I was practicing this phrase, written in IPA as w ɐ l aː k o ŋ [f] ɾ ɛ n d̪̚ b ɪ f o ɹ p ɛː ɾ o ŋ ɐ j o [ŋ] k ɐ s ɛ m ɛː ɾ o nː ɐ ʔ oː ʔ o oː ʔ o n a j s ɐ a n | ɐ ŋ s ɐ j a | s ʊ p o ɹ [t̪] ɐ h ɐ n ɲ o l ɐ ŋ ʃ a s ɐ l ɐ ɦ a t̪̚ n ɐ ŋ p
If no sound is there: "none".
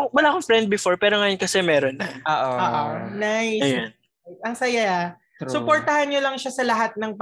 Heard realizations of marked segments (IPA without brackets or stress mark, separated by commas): f, n, t̪